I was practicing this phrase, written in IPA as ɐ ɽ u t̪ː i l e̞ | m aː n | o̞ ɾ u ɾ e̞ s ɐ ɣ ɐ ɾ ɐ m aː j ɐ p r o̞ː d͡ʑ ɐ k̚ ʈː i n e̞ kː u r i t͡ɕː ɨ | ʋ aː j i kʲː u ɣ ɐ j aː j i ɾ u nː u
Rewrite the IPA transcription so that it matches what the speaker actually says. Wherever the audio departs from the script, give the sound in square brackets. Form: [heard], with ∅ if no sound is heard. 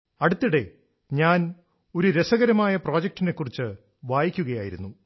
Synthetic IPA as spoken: ɐ ɽ u t̪ː i [ɽ] e̞ | [ɲ] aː n | o̞ ɾ u ɾ e̞ s ɐ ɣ ɐ ɾ ɐ m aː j ɐ p r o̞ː d͡ʑ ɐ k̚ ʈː i n e̞ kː u r i t͡ɕː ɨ | ʋ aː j i kʲː u ɣ ɐ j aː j i ɾ u nː u